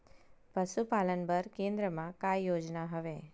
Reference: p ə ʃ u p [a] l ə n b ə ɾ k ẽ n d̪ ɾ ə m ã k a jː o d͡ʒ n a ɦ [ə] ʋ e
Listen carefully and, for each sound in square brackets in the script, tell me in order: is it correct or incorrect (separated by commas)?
correct, correct